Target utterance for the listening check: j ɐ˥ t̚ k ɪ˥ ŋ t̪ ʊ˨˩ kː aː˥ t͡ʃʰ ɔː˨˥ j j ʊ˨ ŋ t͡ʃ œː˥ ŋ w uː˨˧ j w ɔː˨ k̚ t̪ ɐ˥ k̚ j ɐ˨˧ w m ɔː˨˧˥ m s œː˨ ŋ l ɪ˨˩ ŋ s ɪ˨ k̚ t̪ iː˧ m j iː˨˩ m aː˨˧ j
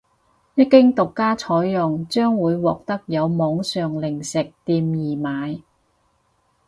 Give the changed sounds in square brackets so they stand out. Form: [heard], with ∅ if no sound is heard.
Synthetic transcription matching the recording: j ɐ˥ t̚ k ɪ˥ ŋ t̪ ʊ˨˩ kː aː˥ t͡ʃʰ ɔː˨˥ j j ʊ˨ ŋ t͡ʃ œː˥ ŋ w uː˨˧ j w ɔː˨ k̚ t̪ ɐ˥ k̚ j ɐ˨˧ w m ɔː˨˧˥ [ŋ] s œː˨ ŋ l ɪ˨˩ ŋ s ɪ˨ k̚ t̪ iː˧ m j iː˨˩ m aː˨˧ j